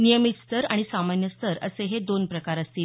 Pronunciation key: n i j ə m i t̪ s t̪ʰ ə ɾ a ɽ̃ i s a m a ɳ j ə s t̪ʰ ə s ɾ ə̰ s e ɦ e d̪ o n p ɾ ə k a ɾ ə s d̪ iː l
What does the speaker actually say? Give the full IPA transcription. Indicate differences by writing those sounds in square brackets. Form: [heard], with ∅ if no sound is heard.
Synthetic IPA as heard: n i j ə m i t̪ s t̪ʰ ə ɾ a ɽ̃ i s a m a [n] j ə s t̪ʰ ə [∅] ɾ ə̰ s e ɦ e d̪ o n p ɾ ə k a ɾ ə s [t̪] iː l